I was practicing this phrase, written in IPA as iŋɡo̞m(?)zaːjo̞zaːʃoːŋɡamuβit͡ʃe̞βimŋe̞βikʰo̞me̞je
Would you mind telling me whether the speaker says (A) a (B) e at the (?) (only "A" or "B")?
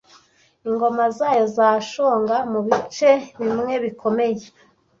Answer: A